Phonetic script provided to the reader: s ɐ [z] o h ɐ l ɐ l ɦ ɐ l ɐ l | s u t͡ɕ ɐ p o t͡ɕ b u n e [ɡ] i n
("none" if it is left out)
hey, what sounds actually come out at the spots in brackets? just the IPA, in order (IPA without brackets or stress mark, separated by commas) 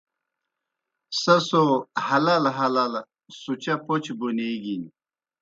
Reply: s, ɡ